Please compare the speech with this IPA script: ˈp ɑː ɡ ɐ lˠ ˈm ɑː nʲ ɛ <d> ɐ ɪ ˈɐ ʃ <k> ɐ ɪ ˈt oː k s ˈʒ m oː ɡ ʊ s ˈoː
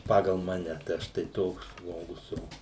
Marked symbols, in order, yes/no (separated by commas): no, no